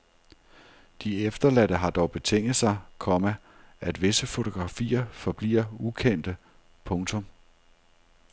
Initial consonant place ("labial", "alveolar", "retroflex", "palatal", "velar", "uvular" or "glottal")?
alveolar